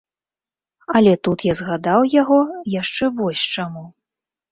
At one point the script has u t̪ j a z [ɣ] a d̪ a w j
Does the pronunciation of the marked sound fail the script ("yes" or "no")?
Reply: no